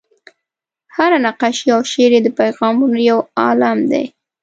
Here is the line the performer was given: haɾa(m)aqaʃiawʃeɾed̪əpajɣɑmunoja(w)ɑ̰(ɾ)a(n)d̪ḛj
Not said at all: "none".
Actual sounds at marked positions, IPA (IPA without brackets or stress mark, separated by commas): n, w, l, m